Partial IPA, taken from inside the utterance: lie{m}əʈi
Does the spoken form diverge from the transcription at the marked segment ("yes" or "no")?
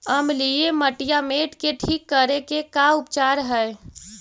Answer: no